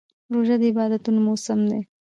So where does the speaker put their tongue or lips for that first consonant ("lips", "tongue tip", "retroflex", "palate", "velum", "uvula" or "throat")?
tongue tip